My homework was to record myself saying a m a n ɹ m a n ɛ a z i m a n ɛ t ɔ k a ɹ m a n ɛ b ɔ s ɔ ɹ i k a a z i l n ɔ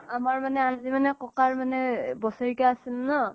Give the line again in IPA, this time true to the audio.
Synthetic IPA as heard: a m a ɹ m a n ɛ a z i m a n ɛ k ɔ k a ɹ m a n ɛ b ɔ s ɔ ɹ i k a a s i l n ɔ